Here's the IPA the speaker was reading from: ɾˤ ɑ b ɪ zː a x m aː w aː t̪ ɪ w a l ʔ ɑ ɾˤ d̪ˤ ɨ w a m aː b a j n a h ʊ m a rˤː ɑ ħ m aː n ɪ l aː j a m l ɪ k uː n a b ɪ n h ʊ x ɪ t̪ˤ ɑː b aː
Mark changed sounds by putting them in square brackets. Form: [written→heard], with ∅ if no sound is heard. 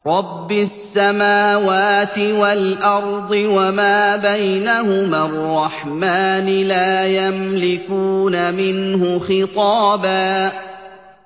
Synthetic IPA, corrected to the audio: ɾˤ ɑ [b→bː] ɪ [zː→sː] a [x→∅] m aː w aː t̪ ɪ w a l ʔ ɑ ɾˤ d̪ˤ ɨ w a m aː b a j n a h ʊ m a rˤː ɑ ħ m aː n ɪ l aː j a m l ɪ k uː n a [b→m] ɪ n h ʊ x ɪ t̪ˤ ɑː b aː

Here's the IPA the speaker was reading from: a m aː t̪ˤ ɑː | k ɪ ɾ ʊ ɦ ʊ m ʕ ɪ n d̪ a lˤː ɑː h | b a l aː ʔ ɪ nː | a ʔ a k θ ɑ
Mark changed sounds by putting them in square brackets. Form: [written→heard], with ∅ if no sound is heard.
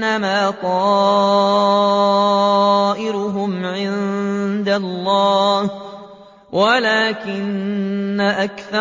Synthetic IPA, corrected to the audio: a m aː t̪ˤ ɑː | [k→ʔ] ɪ ɾ ʊ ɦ ʊ m ʕ ɪ n d̪ a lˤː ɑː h | [b→w] a l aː [ʔ→k] ɪ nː | a ʔ a k θ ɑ

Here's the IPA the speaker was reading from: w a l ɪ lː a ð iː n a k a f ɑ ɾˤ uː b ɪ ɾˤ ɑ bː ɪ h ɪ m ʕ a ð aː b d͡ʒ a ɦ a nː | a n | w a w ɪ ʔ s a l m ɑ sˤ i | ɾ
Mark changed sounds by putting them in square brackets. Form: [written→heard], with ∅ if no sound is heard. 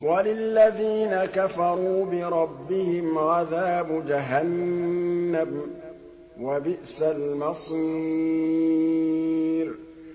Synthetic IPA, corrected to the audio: w a l ɪ lː a ð iː n a k a f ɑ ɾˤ uː b ɪ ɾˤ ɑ bː ɪ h ɪ m ʕ a ð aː b d͡ʒ a ɦ a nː | a [n→m] | w a [w→b] ɪ ʔ s a l m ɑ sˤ i | ɾ

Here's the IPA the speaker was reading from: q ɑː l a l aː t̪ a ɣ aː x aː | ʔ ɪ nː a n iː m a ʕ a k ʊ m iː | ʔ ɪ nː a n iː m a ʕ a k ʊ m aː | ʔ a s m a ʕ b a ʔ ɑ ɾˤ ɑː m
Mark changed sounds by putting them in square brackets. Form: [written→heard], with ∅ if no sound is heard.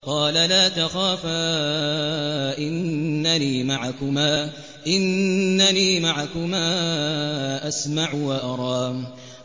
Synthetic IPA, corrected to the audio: q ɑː l a l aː t̪ a [ɣ→x] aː [x→f] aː | ʔ ɪ nː a n iː m a ʕ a k ʊ m [iː→aː] | ʔ ɪ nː a n iː m a ʕ a k ʊ m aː | ʔ a s m a ʕ [b→w] a ʔ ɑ ɾˤ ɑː m

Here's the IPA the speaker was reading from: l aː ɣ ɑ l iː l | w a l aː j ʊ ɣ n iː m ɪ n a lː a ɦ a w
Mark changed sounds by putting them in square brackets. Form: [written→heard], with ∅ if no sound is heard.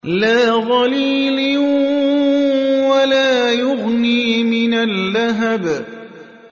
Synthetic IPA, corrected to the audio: l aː ɣ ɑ l iː l | w a l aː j ʊ ɣ n iː m ɪ n a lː a ɦ a [w→b]

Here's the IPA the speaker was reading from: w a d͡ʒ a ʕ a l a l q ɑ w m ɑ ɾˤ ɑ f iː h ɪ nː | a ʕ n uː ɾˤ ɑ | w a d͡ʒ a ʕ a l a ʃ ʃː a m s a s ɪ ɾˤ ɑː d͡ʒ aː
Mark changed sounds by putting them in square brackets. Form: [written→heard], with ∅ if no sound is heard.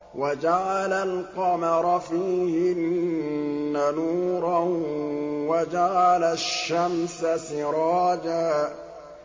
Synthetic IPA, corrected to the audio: w a d͡ʒ a ʕ a l a l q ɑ [w→∅] m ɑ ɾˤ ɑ f iː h ɪ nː | a [ʕ→∅] n uː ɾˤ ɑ | w a d͡ʒ a ʕ a l a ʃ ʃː a m s a s ɪ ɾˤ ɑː d͡ʒ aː

